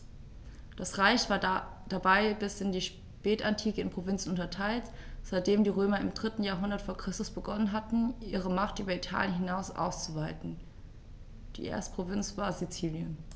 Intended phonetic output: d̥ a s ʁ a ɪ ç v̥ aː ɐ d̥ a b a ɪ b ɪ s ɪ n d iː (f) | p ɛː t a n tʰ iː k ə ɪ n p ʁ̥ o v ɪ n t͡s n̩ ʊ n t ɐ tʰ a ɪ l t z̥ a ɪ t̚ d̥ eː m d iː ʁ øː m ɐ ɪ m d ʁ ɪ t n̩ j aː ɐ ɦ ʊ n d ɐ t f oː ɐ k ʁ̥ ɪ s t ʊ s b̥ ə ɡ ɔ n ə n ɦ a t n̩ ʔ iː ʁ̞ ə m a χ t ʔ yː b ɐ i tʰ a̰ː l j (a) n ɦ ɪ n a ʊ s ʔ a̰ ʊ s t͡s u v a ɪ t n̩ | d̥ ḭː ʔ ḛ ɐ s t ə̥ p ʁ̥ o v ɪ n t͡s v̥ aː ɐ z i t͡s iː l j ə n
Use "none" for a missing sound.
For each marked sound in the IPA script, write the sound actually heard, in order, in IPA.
ʃ, ə

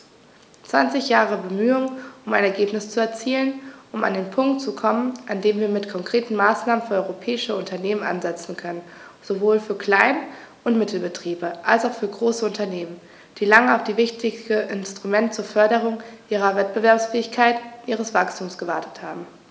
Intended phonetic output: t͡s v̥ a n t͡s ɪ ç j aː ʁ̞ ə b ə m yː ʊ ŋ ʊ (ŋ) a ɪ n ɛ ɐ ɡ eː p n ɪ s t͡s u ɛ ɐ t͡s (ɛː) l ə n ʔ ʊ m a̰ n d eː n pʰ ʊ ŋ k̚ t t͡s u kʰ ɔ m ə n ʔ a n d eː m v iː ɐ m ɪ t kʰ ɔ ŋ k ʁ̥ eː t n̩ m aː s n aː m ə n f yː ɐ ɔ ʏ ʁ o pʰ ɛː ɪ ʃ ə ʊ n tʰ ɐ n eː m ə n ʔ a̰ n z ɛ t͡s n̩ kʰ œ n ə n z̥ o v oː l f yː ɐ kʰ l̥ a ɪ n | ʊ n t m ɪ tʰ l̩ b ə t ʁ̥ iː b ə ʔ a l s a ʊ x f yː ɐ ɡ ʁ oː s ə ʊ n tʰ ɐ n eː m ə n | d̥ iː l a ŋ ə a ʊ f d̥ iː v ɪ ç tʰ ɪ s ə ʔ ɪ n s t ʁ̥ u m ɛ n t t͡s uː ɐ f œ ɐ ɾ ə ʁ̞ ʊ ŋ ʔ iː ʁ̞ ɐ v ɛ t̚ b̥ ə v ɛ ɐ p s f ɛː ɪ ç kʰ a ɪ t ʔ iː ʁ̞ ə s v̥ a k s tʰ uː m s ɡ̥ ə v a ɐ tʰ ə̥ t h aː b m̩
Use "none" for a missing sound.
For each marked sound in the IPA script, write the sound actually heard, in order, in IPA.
m, iː

